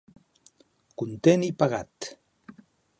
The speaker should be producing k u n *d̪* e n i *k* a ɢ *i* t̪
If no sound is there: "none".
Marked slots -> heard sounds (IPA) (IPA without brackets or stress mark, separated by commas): t̪, p, a